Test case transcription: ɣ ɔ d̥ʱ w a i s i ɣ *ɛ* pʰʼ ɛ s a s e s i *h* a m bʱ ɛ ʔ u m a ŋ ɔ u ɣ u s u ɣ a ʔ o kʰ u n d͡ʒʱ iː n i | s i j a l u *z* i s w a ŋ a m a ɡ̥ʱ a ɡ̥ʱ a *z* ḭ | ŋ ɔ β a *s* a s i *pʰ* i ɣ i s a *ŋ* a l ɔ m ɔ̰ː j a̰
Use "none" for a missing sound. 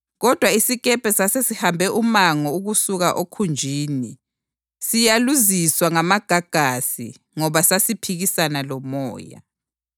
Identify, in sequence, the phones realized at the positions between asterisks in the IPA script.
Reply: ɛ, h, z, s, s, pʰ, n

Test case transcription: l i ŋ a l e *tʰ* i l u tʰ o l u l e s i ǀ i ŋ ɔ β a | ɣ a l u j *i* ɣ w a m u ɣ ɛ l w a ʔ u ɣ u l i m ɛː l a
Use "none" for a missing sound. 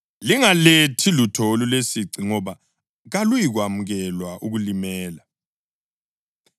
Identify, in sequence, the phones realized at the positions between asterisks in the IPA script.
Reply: tʰ, i

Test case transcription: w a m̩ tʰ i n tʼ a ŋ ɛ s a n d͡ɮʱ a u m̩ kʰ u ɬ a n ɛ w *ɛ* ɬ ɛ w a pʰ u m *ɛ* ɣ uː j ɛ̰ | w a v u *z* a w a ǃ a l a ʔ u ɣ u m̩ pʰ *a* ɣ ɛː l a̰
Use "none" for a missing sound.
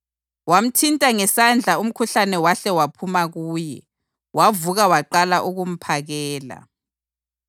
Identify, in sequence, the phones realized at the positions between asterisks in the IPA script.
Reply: a, a, ɣ, a

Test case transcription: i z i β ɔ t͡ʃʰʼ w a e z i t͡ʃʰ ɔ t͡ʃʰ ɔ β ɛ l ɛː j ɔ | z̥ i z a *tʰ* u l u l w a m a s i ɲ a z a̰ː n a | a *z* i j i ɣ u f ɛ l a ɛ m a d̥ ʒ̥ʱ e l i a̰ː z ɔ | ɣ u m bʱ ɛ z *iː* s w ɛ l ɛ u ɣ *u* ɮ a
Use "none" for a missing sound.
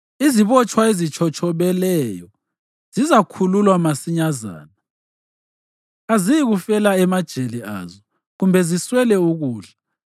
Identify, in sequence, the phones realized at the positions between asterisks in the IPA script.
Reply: kʰ, z, i, uː

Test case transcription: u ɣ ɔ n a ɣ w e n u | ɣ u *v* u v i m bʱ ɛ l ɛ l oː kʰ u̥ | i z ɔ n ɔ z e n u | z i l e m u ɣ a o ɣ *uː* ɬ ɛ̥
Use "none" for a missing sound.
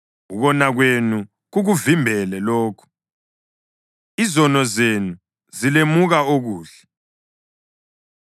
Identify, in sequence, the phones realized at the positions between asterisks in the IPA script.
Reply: ɣ, uː

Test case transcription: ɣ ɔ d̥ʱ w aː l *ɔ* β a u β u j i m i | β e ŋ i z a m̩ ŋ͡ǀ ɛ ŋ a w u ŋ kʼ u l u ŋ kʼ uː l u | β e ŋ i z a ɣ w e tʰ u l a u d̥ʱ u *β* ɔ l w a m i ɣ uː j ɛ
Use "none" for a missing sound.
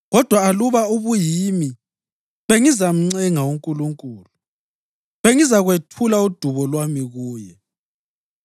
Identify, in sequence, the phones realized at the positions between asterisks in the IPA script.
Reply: u, β

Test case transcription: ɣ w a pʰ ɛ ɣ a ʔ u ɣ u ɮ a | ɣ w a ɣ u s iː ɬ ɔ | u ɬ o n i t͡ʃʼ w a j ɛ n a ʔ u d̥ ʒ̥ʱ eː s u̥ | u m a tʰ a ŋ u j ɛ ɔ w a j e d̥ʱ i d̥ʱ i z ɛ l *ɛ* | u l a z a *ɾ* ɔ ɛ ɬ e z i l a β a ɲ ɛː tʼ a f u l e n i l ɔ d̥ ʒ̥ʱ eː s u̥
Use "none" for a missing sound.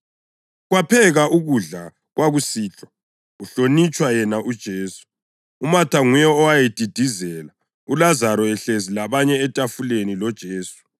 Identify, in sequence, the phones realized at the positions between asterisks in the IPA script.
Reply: a, ɾ

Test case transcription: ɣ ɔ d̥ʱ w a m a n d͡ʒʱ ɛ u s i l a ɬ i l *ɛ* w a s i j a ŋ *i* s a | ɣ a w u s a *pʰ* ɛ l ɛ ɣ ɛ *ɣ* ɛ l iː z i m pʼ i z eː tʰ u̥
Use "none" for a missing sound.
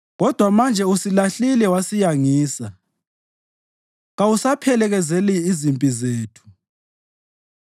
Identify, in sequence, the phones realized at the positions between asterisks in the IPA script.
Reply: ɛ, iː, pʰ, z

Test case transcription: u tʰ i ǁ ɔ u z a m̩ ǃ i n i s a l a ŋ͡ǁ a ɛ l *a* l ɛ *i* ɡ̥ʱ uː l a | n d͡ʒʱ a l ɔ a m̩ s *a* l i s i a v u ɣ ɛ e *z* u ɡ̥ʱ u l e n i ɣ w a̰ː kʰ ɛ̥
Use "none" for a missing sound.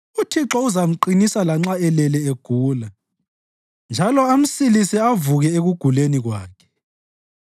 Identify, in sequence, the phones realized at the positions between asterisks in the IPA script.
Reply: ɛ, e, i, ɣ

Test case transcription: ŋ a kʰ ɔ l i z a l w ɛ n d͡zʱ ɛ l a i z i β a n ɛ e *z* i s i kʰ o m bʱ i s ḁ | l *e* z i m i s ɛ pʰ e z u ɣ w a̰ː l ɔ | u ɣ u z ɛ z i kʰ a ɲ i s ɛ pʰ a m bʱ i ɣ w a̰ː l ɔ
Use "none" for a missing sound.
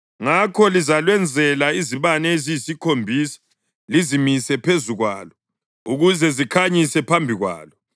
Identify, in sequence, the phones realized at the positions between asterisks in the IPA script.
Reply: z, i

